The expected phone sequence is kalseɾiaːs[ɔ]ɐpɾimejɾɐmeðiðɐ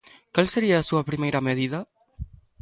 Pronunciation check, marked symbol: incorrect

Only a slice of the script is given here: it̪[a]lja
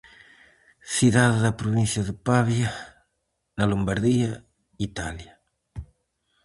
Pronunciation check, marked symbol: correct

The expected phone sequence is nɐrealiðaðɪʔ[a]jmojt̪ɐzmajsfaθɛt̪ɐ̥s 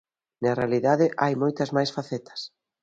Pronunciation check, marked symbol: correct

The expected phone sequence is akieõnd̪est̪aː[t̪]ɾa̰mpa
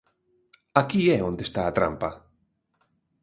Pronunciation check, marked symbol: correct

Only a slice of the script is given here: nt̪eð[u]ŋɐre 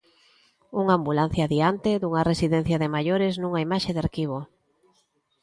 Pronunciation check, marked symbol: correct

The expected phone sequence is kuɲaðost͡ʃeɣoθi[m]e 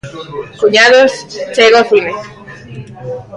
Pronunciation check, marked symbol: correct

